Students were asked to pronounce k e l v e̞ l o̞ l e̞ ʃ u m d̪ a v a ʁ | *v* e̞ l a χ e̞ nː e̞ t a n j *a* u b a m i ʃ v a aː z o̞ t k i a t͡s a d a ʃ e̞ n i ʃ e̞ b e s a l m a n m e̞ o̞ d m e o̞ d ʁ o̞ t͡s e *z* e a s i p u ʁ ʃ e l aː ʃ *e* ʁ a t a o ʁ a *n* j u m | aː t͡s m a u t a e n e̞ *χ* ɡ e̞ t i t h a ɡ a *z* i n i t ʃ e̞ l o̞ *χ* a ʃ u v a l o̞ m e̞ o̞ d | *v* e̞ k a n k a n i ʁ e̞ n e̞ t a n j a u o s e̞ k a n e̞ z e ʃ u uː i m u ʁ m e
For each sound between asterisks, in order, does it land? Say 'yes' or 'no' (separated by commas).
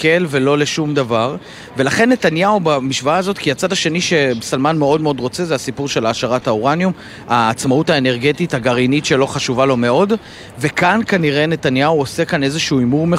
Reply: yes, yes, yes, no, yes, no, no, yes, yes